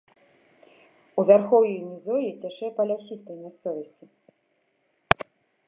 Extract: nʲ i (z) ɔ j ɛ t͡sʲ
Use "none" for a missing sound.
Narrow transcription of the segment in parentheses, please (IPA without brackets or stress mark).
z